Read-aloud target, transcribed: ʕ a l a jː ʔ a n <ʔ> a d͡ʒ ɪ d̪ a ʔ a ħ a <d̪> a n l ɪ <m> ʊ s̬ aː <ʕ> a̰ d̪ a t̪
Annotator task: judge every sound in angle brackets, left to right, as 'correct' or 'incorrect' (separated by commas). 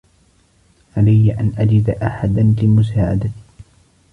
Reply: correct, correct, correct, correct